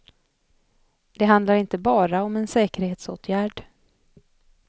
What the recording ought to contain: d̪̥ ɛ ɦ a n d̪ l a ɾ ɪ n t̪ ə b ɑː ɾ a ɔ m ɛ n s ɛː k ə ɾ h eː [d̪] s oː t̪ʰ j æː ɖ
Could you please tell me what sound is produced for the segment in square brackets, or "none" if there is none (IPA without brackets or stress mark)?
t̪